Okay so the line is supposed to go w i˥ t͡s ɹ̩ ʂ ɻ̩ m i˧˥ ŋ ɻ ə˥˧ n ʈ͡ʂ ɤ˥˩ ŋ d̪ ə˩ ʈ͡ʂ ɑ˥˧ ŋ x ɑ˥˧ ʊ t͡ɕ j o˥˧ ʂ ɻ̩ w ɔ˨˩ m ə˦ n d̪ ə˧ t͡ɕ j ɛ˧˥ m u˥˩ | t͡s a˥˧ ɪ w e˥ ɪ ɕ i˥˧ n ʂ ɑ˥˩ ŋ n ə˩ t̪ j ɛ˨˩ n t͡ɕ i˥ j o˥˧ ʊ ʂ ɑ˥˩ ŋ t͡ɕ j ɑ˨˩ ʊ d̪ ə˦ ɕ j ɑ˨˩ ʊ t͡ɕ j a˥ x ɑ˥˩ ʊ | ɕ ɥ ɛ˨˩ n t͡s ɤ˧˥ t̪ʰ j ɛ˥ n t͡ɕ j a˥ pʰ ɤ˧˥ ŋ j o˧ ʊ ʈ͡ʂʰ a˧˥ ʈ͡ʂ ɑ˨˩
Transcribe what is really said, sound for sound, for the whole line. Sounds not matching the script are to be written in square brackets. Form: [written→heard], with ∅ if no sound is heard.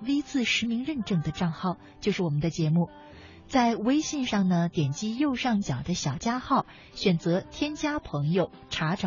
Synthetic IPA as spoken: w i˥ t͡s ɹ̩ ʂ ɻ̩ m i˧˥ ŋ ɻ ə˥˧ n ʈ͡ʂ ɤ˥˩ ŋ d̪ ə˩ ʈ͡ʂ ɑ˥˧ ŋ x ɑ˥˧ ʊ t͡ɕ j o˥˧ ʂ ɻ̩ w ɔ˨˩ m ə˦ n d̪ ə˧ t͡ɕ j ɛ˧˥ m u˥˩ | t͡s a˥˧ ɪ w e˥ ɪ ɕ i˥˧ n ʂ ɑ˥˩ ŋ n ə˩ t̪ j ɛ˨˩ n t͡ɕ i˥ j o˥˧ ʊ ʂ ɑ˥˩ ŋ t͡ɕ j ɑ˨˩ ʊ d̪ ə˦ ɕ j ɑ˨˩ ʊ t͡ɕ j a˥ x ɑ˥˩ ʊ | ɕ ɥ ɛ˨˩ n t͡s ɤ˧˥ t̪ʰ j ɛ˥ n t͡ɕ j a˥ pʰ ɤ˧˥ ŋ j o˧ ʊ ʈ͡ʂʰ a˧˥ ʈ͡ʂ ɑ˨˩